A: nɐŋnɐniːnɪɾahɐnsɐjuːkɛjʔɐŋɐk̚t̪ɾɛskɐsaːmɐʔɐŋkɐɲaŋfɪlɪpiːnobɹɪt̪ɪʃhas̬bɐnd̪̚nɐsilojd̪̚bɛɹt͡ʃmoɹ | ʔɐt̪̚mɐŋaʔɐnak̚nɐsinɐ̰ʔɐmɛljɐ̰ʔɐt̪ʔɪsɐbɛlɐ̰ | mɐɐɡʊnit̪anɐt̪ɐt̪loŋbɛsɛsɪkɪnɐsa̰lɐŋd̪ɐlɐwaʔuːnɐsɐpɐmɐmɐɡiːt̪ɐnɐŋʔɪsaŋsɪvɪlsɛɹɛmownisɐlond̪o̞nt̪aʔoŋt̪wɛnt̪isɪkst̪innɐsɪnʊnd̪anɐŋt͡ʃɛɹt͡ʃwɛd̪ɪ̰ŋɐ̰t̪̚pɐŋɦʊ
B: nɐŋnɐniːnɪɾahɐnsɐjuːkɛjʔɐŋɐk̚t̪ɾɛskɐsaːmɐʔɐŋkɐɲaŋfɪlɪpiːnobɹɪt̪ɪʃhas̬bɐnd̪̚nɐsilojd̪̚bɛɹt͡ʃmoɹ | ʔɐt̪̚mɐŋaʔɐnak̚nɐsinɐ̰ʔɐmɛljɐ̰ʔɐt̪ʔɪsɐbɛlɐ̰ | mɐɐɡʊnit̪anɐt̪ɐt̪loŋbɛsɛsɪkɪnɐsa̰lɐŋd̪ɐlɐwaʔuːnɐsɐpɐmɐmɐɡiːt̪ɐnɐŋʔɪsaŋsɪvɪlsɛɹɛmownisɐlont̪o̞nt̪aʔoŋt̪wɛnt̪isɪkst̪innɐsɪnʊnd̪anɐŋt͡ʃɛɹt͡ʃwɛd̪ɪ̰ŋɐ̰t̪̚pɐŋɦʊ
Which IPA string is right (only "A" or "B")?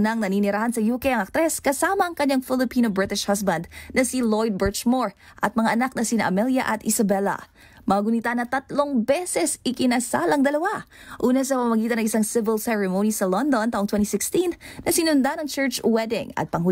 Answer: A